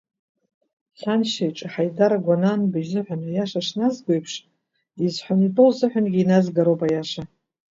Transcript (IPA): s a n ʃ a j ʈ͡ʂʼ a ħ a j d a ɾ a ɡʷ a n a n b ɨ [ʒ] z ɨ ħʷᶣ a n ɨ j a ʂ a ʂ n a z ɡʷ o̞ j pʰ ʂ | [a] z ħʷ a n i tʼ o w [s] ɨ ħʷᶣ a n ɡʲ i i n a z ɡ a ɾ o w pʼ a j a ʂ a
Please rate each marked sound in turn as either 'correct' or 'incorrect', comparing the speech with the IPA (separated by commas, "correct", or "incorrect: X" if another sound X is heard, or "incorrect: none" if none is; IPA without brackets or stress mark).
correct, incorrect: i, incorrect: z